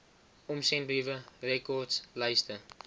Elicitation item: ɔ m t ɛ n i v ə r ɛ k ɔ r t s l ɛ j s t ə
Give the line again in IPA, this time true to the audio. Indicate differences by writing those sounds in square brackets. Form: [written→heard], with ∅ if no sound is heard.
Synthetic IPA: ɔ m [t→s] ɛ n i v ə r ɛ k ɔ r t s l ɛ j s t ə